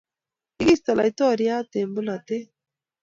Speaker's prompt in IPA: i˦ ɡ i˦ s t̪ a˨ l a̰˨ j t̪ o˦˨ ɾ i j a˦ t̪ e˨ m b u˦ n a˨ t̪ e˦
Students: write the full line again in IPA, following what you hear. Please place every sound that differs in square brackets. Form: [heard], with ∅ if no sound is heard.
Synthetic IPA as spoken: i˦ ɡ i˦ s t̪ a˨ l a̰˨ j t̪ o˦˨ ɾ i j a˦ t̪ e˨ m b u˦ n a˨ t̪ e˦

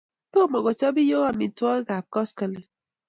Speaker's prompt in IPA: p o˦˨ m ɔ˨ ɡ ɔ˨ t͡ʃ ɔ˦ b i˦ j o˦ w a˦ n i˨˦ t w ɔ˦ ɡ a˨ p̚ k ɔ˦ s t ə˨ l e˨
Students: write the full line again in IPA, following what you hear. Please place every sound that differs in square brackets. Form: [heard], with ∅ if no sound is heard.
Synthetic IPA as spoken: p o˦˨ m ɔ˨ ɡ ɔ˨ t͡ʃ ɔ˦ b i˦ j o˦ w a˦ [m] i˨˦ t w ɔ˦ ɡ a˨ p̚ k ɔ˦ s [k] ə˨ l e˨

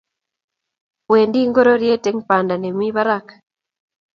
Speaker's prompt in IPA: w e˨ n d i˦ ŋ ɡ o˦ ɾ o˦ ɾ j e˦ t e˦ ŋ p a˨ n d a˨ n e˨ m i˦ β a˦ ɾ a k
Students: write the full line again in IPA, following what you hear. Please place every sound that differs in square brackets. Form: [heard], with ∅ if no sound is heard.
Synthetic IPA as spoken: w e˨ n d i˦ ŋ ɡ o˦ ɾ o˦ ɾ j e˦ t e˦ ŋ p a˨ n d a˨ n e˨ m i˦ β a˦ ɾ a k

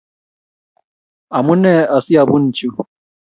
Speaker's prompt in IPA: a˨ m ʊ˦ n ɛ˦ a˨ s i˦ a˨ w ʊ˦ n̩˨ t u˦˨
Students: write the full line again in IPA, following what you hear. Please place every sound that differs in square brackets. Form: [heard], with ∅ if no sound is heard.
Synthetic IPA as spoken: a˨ m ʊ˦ n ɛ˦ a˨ s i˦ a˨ [b] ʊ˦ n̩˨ [t͡ʃ] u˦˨

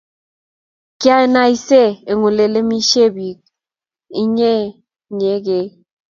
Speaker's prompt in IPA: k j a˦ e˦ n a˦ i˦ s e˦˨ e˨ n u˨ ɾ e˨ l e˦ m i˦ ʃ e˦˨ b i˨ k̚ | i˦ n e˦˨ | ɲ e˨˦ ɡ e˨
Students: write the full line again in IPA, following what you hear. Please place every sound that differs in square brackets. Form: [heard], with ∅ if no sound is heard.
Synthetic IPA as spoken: k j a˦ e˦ n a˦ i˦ s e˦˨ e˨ [ŋ] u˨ [l] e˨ l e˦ m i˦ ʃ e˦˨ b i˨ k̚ | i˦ [ɲ] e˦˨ | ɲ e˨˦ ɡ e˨

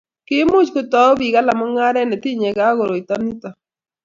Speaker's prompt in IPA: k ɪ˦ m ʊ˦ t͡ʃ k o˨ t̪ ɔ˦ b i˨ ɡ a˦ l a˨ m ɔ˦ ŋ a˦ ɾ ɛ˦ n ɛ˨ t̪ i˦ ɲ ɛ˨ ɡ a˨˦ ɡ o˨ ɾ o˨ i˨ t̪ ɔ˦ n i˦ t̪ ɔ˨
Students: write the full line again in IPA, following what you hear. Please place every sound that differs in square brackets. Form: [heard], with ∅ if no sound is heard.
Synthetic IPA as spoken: k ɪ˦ m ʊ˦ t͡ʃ k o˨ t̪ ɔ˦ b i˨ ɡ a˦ l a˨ m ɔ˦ ŋ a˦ ɾ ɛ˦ n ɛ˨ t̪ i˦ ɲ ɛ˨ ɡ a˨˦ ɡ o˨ ɾ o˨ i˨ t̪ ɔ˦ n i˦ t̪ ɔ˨

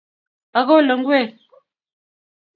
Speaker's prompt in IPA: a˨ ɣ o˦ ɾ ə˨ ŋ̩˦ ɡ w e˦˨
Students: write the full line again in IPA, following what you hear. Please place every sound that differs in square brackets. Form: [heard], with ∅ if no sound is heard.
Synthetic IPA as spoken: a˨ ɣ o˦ [l] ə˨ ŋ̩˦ ɡ w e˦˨

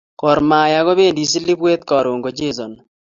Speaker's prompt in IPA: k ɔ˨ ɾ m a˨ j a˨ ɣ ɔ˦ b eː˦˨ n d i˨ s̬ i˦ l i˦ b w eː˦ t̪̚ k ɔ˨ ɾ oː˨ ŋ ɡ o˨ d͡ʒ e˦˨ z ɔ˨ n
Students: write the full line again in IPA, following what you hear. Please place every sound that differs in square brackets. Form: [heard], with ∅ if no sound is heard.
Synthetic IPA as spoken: k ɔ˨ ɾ m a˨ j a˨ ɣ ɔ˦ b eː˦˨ n d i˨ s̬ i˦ l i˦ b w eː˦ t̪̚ k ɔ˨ ɾ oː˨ ŋ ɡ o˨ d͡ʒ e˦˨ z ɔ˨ n

